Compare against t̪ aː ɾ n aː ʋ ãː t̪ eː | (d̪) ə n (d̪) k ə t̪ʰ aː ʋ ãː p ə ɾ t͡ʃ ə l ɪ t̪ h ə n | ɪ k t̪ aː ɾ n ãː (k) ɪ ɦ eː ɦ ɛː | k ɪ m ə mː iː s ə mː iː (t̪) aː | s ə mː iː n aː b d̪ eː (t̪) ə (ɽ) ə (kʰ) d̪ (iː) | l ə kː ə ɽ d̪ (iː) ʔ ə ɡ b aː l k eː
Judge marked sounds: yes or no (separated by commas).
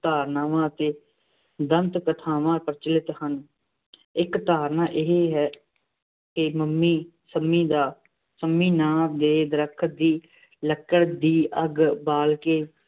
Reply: yes, no, no, no, no, no, yes, yes, yes